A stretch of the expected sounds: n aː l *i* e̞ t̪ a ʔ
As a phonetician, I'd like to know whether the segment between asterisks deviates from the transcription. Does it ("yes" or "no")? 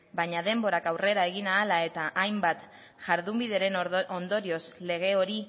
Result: yes